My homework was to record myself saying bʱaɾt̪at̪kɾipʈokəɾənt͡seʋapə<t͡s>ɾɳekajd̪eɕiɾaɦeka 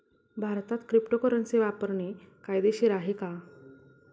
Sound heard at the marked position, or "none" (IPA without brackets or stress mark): none